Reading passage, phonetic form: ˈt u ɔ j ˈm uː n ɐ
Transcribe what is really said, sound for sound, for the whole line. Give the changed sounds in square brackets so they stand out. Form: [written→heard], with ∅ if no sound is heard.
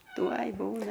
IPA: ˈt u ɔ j [ˈm→ˈb] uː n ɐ